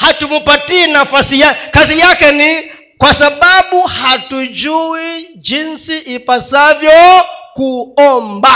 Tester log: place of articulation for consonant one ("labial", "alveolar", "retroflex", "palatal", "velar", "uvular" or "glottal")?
glottal